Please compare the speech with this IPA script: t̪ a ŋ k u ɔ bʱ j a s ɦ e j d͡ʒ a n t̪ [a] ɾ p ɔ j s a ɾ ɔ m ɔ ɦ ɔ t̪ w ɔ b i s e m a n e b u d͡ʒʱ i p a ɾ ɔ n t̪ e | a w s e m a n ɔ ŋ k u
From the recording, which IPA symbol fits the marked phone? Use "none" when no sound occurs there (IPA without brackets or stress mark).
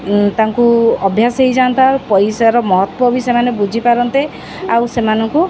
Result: a